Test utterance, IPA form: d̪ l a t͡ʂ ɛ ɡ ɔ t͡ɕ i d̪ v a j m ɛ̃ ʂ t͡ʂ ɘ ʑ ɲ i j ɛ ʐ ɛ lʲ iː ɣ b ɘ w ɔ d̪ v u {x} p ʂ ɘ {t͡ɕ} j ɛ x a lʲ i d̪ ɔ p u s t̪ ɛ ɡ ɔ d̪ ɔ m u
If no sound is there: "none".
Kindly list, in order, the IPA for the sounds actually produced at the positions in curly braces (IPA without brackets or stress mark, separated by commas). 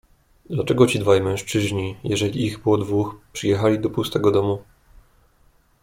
x, none